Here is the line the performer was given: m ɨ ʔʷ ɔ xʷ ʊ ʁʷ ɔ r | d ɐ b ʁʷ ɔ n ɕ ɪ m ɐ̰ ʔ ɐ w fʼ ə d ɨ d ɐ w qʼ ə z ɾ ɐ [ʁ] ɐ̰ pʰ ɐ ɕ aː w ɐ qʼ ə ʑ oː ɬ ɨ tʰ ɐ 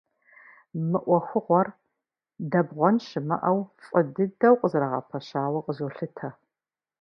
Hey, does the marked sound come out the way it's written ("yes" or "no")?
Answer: yes